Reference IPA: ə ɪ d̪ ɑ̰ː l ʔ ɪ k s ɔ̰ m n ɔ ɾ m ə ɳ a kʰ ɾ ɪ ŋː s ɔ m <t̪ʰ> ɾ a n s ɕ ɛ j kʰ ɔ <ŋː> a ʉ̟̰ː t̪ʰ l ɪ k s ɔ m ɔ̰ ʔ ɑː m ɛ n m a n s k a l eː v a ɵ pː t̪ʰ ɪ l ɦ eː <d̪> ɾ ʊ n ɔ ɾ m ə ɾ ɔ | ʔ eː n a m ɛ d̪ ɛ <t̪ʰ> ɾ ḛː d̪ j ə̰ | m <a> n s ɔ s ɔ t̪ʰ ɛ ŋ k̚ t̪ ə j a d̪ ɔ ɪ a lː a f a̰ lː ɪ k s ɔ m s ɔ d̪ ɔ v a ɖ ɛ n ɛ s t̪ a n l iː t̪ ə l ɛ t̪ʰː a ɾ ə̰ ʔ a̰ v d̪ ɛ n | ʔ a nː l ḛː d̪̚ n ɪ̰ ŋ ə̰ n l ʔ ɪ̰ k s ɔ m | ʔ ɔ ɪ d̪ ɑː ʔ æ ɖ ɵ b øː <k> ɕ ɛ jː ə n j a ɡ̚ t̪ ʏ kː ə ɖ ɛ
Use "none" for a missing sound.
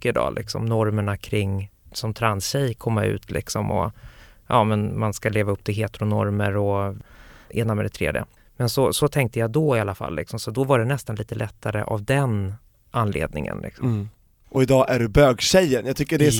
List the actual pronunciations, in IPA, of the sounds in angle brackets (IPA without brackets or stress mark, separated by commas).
t̪ʰ, mː, t̪, t̪ʰ, ɛ, ɡ